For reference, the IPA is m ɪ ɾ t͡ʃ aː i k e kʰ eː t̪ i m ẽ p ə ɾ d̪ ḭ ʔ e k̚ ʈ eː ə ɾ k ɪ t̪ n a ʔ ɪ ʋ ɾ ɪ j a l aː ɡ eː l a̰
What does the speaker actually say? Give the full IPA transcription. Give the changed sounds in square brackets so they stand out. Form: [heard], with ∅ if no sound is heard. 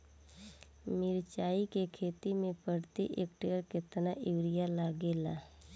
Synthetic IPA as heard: m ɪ ɾ t͡ʃ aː i k e kʰ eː t̪ i m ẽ p ə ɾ [t̪] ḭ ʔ e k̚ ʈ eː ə ɾ k ɪ t̪ n a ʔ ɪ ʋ ɾ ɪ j a l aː ɡ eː l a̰